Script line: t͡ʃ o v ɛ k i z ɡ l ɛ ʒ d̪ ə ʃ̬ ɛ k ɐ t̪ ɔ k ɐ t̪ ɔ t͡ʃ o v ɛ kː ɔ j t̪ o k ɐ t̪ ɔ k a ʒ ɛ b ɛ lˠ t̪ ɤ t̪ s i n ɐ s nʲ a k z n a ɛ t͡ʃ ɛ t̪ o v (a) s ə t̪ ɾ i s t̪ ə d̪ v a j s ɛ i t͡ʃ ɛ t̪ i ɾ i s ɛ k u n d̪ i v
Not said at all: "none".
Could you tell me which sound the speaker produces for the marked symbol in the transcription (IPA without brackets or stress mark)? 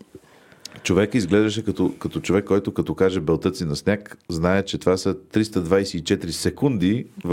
a